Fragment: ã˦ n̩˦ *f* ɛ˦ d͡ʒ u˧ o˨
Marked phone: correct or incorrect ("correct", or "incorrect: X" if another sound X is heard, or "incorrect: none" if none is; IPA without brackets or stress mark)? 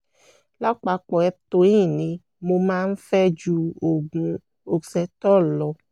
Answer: correct